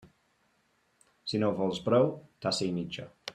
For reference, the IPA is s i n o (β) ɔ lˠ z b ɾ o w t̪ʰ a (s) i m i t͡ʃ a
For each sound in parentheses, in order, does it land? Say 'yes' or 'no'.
no, yes

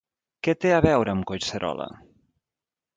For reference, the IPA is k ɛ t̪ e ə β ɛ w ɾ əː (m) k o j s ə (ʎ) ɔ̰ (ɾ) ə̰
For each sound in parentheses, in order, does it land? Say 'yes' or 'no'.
yes, no, no

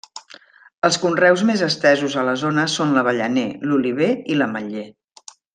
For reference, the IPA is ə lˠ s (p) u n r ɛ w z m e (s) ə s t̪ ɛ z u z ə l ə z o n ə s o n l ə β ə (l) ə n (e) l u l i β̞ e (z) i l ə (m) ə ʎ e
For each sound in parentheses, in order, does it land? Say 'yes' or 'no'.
no, no, no, yes, no, yes

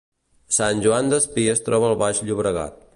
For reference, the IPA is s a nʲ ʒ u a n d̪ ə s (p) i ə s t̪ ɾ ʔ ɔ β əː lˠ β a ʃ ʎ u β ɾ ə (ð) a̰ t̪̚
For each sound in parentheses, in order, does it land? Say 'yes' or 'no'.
yes, no

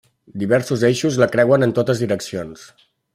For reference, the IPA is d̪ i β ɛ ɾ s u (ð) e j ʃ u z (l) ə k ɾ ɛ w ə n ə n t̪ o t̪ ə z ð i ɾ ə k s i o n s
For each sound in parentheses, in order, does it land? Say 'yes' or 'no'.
no, yes

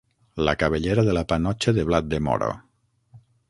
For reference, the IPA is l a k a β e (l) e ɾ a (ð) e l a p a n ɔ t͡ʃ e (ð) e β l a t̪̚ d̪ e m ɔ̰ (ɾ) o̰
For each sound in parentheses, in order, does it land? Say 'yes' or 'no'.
no, yes, yes, yes

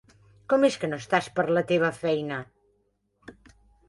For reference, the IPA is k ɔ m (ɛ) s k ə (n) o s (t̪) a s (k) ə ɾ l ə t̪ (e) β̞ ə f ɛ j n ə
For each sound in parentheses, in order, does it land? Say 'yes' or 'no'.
no, yes, yes, no, yes

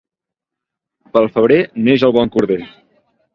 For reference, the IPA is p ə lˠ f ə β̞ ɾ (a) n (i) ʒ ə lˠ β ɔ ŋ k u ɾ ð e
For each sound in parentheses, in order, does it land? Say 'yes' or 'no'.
no, no

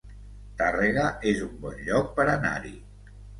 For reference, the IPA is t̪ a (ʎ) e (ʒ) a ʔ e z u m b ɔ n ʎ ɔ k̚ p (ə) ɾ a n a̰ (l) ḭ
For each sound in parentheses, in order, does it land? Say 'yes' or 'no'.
no, no, yes, no

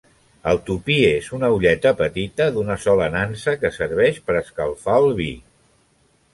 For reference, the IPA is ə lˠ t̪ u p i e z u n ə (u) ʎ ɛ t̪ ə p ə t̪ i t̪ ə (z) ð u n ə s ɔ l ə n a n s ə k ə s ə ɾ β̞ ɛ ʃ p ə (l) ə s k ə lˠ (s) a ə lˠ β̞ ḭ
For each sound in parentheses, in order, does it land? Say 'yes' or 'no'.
yes, no, no, no

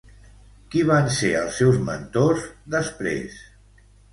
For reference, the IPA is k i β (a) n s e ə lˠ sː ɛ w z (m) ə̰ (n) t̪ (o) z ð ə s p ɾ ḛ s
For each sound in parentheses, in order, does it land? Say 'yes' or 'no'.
yes, yes, yes, yes

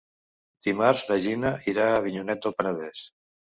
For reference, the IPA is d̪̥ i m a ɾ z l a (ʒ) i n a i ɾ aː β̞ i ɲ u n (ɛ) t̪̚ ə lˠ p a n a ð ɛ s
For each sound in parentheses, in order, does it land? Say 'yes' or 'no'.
yes, yes

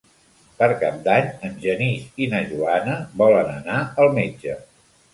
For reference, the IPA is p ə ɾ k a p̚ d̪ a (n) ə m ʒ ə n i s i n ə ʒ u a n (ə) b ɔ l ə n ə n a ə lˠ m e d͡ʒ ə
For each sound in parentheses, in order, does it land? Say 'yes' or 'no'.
no, yes

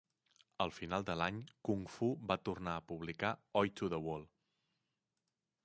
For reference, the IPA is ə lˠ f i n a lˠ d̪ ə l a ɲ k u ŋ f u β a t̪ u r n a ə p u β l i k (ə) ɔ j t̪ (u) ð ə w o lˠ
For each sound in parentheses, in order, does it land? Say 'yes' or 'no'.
no, yes

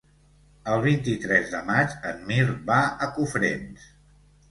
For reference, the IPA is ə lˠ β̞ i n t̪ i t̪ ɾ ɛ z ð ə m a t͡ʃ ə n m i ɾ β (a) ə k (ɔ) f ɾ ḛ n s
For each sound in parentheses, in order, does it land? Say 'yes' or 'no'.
yes, no

